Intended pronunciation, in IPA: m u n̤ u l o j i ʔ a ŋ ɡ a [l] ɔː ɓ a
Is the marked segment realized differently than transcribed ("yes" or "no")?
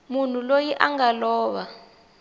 no